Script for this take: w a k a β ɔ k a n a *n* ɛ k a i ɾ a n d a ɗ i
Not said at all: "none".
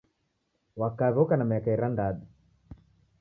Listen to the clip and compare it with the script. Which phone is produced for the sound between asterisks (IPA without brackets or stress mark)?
m